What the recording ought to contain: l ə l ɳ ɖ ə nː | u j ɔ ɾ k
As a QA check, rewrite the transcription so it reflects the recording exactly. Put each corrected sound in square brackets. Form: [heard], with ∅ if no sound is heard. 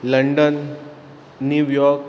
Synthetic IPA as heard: l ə [∅] ɳ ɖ ə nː | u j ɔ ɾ k